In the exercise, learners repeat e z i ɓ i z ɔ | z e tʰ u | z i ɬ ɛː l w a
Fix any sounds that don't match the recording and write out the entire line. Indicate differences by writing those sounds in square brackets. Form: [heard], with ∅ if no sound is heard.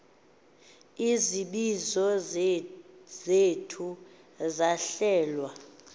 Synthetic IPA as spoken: [i] z i ɓ i z ɔ | z e tʰ u | z [a] ɬ ɛː l w a